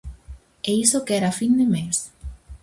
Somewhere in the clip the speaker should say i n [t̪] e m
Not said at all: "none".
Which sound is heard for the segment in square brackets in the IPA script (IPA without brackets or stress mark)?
d̪